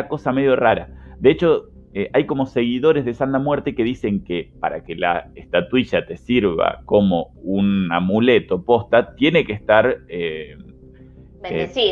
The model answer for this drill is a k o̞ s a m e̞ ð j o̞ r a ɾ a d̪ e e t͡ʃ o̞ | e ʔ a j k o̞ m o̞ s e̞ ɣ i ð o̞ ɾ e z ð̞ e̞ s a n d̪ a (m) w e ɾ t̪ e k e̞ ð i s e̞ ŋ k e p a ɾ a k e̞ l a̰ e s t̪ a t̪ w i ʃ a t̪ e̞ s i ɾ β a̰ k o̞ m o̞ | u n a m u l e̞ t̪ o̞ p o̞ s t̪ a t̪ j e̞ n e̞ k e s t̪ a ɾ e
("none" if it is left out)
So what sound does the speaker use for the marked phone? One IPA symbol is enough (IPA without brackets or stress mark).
m